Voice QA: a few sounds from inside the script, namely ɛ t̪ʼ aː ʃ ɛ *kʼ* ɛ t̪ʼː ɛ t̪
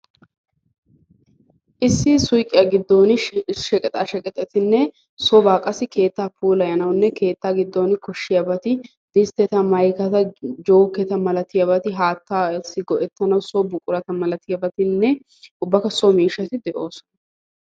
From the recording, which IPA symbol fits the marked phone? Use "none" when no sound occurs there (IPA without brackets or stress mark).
kʼ